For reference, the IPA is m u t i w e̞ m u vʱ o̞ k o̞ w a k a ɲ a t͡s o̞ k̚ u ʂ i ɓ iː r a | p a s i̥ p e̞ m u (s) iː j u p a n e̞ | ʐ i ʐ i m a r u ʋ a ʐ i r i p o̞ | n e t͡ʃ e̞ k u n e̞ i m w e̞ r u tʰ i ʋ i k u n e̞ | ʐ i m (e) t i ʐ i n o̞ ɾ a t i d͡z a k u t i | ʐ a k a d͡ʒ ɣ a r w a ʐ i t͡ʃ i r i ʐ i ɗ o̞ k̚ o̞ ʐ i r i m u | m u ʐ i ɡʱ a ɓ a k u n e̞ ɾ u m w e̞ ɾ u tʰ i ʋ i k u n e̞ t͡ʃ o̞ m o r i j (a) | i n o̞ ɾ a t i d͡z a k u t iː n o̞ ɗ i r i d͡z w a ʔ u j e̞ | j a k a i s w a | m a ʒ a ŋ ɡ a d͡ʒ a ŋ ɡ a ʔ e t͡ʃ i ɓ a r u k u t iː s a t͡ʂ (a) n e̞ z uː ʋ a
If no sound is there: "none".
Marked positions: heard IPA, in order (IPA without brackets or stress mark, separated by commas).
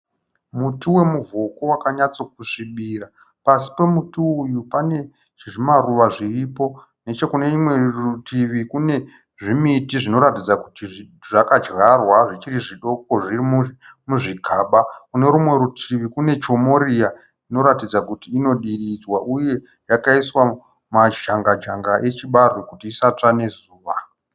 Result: t, i, a, a